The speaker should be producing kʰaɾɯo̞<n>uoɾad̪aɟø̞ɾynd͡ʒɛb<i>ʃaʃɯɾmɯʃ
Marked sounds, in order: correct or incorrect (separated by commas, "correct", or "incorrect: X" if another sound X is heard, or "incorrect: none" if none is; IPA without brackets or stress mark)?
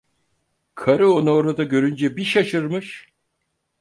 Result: correct, correct